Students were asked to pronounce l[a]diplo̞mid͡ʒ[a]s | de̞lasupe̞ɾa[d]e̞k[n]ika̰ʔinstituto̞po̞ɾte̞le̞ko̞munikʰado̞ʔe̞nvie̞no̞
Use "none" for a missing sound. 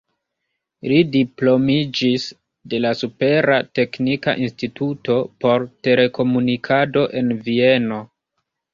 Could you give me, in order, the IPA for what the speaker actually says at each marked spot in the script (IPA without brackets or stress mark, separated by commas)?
i, i, t, n